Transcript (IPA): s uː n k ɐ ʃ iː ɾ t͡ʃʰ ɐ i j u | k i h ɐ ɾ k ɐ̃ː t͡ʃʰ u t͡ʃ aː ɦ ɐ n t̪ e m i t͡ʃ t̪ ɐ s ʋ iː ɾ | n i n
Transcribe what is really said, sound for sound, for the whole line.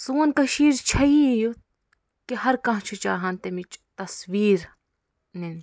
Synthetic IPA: s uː n k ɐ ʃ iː ɾ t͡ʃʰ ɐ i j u | k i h ɐ ɾ k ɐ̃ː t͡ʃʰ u t͡ʃ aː ɦ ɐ n t̪ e m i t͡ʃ t̪ ɐ s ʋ iː ɾ | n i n